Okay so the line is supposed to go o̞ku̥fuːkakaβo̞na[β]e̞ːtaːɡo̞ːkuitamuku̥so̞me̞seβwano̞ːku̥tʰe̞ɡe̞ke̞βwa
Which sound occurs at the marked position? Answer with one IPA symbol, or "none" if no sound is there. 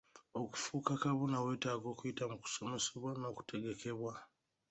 w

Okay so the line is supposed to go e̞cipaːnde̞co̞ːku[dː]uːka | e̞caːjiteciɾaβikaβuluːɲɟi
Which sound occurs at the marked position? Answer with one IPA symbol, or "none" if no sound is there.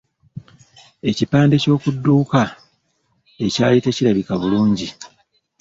dː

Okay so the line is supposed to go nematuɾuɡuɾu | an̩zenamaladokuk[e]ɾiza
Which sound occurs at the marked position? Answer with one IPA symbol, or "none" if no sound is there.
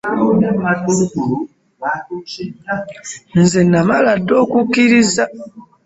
i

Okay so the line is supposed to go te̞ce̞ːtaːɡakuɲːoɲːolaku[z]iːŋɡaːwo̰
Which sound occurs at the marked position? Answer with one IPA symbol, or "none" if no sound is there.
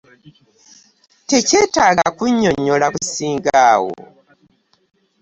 s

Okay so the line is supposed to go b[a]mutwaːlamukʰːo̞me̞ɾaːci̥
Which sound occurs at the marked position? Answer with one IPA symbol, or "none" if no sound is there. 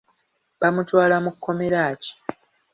a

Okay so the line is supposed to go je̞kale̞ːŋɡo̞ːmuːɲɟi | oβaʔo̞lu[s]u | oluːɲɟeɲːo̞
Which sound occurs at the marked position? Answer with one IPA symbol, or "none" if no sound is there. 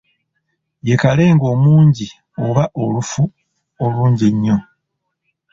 f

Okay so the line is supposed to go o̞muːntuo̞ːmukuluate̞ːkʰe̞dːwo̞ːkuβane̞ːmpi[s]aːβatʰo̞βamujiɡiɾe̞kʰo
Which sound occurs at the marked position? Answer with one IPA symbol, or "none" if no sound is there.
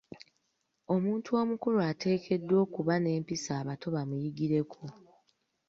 s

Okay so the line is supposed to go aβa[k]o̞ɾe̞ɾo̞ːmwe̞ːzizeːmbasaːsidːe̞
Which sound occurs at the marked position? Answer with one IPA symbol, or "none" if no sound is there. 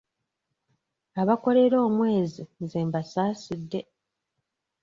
k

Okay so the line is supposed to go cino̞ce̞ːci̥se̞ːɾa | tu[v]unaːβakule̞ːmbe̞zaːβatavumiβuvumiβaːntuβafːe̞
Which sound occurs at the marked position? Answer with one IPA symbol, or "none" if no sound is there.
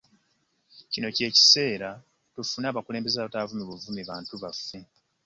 f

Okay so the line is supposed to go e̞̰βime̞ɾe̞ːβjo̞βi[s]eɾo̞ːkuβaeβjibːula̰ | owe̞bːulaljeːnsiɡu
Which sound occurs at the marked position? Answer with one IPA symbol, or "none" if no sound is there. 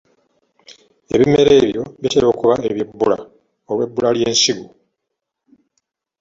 t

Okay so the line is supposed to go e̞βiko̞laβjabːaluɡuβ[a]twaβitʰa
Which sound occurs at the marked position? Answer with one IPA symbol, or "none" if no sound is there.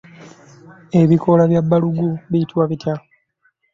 i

